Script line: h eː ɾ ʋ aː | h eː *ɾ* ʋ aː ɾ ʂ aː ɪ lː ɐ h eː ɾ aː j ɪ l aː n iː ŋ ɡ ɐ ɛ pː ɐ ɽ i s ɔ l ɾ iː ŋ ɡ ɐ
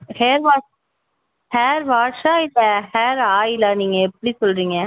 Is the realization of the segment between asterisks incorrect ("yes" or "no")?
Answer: no